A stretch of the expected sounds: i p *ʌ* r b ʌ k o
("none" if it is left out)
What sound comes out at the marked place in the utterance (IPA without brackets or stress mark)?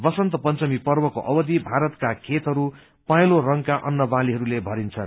ʌ